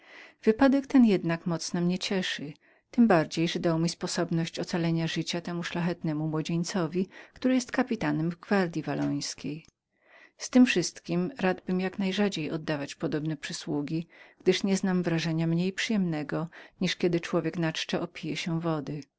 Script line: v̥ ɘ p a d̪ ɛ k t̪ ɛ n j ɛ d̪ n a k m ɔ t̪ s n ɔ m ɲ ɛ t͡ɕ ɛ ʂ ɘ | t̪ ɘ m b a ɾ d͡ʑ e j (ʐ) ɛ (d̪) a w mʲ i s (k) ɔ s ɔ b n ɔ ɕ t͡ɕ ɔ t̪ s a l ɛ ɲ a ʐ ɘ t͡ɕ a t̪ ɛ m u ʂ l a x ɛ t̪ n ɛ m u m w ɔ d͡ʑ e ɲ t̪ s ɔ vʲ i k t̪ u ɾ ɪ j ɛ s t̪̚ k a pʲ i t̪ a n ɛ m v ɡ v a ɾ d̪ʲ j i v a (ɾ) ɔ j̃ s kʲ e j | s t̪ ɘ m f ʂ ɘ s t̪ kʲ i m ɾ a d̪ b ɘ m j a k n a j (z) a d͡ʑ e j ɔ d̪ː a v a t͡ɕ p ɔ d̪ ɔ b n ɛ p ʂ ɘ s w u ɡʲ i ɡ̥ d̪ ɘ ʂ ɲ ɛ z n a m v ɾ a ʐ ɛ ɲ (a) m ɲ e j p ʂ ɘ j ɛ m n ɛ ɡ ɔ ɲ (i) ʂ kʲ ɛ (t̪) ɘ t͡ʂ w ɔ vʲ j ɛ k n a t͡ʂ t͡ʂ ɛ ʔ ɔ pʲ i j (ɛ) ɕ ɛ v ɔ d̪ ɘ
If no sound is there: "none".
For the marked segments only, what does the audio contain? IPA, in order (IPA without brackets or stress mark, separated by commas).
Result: ʐ, d̪, p, l, ʐ, a, i, d̪, ɛ